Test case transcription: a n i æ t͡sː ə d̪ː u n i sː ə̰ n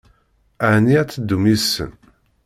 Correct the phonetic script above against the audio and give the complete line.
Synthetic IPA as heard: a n i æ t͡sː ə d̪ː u m i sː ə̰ n